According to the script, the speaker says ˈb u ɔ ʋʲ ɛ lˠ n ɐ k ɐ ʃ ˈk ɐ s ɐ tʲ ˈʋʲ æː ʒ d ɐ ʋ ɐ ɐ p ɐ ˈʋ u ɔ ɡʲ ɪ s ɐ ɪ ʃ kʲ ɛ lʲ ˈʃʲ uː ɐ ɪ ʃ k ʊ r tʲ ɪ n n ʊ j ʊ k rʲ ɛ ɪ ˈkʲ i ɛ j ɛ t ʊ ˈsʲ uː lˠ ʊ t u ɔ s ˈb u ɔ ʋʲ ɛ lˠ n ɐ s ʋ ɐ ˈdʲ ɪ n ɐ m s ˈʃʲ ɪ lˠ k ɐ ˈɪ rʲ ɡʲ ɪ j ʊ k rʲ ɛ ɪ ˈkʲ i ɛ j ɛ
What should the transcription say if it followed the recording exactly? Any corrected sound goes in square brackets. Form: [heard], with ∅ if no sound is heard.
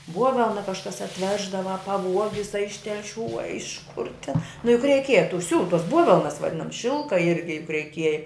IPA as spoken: ˈb u ɔ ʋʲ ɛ lˠ n ɐ k ɐ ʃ ˈk ɐ s ɐ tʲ ˈʋʲ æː ʒ d ɐ ʋ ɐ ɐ p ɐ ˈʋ u ɔ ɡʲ ɪ s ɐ ɪ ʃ [tʲ] ɛ lʲ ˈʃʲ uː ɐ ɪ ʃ k ʊ r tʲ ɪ n n ʊ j ʊ k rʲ ɛ ɪ ˈkʲ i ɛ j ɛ t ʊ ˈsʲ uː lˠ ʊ t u ɔ s ˈb u ɔ ʋʲ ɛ lˠ n ɐ s ʋ ɐ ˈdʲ ɪ n ɐ m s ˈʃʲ ɪ lˠ k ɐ ˈɪ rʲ ɡʲ ɪ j ʊ k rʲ ɛ ɪ ˈkʲ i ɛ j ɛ